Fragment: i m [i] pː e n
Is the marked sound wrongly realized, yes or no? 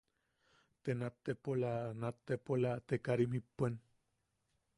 no